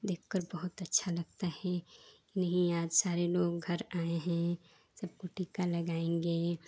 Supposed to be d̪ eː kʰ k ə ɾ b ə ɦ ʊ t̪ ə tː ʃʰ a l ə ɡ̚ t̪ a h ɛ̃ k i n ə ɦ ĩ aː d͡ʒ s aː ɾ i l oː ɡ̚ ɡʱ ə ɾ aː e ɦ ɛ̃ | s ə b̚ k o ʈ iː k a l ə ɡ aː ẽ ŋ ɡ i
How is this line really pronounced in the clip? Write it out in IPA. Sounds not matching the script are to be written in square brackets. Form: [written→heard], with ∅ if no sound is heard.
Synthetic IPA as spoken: d̪ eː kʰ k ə ɾ b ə ɦ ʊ t̪ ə tː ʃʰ a l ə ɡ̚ t̪ a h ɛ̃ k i n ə ɦ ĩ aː d͡ʒ s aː ɾ [i→e] l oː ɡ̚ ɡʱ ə ɾ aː e ɦ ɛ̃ | s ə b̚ k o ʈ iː k a l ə ɡ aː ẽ ŋ ɡ [i→e]